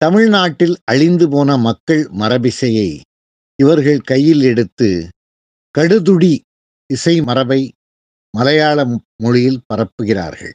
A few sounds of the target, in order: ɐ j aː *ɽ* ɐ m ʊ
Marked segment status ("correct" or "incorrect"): incorrect